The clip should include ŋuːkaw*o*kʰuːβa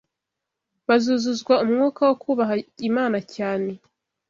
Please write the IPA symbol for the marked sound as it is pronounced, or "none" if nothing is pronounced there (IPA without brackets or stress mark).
o